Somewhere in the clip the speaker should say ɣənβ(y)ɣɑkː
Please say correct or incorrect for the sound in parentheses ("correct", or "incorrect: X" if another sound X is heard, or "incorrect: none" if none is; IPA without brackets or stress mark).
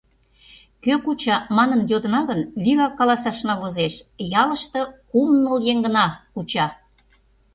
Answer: incorrect: i